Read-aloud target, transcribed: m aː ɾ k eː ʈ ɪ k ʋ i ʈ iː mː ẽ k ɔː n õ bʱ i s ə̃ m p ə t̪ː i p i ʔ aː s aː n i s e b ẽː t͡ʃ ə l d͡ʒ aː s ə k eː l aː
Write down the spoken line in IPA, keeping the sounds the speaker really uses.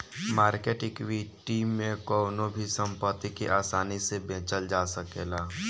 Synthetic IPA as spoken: m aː ɾ k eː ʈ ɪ k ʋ i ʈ iː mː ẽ k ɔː n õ bʱ i s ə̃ m p ə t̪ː i k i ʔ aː s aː n i s e b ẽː t͡ʃ ə l d͡ʒ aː s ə k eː l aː